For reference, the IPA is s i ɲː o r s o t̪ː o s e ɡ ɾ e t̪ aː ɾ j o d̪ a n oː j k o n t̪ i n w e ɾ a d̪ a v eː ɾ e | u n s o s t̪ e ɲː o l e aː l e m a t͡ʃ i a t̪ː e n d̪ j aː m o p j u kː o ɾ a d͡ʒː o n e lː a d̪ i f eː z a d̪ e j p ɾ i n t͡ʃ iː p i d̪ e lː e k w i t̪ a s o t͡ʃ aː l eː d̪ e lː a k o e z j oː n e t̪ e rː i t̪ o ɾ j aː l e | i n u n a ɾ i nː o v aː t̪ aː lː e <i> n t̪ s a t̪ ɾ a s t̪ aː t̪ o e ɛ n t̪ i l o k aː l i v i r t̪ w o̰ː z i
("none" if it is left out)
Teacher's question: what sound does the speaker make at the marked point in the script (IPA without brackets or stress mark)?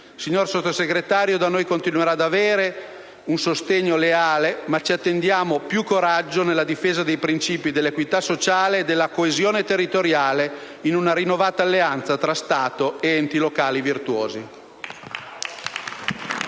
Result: a